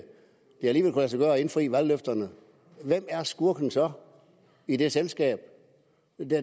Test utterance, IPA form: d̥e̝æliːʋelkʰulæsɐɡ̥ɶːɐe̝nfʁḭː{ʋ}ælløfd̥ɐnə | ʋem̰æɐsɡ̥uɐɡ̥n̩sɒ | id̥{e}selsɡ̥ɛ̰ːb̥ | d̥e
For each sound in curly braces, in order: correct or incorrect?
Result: correct, correct

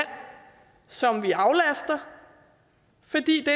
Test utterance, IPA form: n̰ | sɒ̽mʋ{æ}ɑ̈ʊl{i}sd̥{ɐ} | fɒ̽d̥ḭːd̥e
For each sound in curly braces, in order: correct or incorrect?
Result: incorrect: i, incorrect: æ, correct

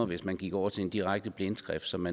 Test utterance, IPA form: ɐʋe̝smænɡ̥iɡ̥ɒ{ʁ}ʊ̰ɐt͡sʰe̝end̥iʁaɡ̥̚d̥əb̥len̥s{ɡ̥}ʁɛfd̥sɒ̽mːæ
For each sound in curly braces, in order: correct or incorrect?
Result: incorrect: none, correct

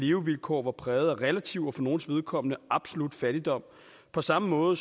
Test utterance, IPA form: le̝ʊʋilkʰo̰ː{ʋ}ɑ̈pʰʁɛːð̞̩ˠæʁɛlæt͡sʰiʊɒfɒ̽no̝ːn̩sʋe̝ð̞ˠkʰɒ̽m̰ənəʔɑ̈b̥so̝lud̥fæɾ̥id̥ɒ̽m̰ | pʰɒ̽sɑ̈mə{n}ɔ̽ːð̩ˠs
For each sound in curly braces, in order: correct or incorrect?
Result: correct, incorrect: m

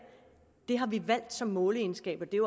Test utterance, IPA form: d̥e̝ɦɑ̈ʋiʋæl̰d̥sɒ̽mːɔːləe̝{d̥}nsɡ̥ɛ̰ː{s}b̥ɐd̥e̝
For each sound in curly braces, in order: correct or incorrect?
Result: incorrect: none, incorrect: none

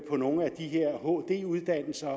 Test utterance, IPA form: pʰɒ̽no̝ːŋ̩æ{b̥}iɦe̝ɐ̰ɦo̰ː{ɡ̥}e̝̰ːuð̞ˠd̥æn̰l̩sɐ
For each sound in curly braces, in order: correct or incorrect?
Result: incorrect: d̥, incorrect: d̥

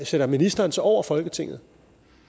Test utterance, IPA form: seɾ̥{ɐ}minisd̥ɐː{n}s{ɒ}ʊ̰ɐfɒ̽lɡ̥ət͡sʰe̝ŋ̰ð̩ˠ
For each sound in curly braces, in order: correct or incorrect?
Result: correct, correct, correct

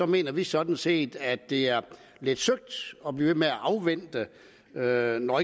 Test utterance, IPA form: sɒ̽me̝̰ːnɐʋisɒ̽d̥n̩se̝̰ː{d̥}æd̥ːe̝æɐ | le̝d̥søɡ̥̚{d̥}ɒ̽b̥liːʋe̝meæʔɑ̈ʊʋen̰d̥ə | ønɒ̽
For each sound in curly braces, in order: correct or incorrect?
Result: correct, correct

